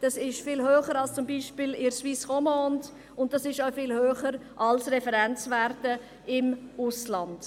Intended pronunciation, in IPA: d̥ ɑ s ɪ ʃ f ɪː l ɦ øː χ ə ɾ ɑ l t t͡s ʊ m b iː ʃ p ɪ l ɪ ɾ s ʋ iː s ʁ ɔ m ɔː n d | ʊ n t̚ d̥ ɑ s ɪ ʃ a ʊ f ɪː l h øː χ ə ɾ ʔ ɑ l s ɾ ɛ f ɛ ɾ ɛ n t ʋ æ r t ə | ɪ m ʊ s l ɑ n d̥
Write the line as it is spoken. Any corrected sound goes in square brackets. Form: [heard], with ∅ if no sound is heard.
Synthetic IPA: d̥ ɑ s ɪ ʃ f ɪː l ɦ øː χ ə ɾ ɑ l [s] t͡s ʊ m b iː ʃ p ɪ l ɪ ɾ s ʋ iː s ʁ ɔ m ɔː n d | ʊ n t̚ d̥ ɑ s ɪ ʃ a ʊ f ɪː l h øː χ ə ɾ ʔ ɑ l s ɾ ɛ f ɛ ɾ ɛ n [t͡s] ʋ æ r t ə | ɪ m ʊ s l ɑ n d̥